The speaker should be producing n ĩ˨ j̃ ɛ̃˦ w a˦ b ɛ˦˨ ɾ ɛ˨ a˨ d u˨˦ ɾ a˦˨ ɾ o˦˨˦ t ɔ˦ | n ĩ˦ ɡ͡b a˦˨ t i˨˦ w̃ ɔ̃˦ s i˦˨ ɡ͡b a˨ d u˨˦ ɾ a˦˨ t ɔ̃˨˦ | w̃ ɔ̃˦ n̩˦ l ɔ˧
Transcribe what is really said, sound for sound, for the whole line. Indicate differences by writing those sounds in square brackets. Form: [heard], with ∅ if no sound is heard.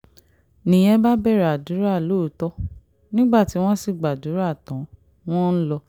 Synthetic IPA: n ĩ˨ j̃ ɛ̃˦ [b] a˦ b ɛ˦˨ ɾ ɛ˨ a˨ d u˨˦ ɾ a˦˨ [l] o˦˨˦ t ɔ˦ | n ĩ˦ ɡ͡b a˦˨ t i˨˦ w̃ ɔ̃˦ s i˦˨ ɡ͡b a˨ d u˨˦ ɾ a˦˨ t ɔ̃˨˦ | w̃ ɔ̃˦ n̩˦ l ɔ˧